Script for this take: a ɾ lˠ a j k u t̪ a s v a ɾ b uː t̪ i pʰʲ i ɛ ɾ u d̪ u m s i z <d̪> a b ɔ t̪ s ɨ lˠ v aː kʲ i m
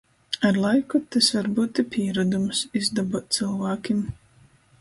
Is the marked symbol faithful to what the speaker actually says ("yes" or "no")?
yes